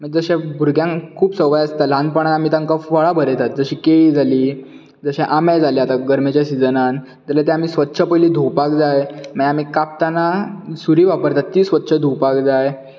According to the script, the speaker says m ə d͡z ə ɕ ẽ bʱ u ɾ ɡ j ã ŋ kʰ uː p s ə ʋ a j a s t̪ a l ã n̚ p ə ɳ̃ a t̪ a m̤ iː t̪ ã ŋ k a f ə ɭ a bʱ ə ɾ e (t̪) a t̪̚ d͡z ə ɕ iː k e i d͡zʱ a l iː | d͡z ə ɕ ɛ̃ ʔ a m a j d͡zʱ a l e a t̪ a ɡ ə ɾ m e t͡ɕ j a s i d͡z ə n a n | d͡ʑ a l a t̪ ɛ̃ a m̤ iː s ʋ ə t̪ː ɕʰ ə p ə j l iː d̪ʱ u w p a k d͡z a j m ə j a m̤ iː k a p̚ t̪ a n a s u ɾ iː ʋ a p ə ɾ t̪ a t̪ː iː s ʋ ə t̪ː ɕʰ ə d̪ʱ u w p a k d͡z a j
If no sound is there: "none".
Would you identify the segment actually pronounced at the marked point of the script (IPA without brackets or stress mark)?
t̪